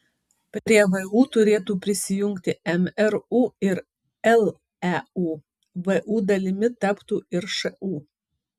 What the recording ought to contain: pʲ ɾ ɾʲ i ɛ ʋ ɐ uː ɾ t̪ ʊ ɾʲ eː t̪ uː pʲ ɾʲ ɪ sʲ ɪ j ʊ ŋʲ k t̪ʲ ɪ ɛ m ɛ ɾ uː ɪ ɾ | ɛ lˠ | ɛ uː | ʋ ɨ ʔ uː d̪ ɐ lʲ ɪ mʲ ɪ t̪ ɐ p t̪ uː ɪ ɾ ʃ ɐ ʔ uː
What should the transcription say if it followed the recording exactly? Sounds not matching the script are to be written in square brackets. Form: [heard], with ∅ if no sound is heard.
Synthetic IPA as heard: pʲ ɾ ɾʲ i ɛ ʋ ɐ uː [∅] t̪ ʊ ɾʲ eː t̪ uː pʲ ɾʲ ɪ sʲ ɪ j ʊ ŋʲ k t̪ʲ ɪ ɛ m ɛ ɾ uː ɪ ɾ | ɛ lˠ | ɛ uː | ʋ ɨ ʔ uː d̪ ɐ lʲ ɪ mʲ ɪ t̪ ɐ p t̪ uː ɪ ɾ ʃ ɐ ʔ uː